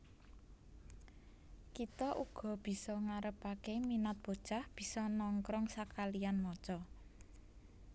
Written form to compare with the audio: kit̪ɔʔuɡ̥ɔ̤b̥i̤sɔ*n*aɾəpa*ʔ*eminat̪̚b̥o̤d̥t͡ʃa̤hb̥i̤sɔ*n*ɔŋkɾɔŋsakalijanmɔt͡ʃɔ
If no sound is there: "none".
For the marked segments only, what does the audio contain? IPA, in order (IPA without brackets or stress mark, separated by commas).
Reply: ŋ, k, n